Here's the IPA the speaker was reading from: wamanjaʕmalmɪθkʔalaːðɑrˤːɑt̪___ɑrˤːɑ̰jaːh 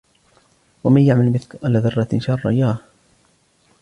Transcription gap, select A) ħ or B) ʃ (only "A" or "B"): B